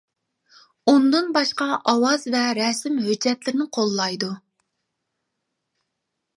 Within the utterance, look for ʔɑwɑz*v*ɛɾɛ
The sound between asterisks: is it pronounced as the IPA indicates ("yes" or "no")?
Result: yes